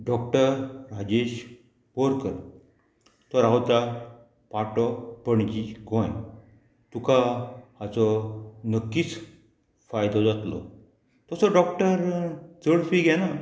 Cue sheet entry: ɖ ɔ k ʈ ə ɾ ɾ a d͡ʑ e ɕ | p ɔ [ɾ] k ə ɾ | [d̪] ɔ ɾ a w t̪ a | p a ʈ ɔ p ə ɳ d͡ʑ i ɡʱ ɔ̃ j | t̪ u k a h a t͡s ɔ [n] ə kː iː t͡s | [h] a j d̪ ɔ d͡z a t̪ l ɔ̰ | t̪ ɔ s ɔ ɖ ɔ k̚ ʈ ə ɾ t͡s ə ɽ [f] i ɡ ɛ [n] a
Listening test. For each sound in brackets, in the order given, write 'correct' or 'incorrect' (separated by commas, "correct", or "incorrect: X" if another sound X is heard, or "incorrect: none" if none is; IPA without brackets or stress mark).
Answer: correct, incorrect: t̪, correct, incorrect: f, correct, correct